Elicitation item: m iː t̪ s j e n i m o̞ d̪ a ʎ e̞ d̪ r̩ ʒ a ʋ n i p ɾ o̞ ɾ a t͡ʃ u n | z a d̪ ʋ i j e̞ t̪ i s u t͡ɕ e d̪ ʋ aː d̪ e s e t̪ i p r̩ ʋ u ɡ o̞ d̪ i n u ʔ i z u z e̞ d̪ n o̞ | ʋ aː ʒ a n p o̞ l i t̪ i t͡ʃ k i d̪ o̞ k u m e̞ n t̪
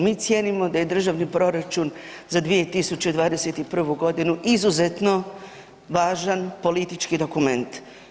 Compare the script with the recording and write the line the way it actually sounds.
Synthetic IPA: m iː t̪ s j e n i m o̞ d̪ a j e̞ d̪ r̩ ʒ a ʋ n i p ɾ o̞ ɾ a t͡ʃ u n | z a d̪ ʋ i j e̞ t̪ i s u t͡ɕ e d̪ ʋ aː d̪ e s e t̪ i p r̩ ʋ u ɡ o̞ d̪ i n u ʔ i z u z e̞ t̪ n o̞ | ʋ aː ʒ a n p o̞ l i t̪ i t͡ʃ k i d̪ o̞ k u m e̞ n t̪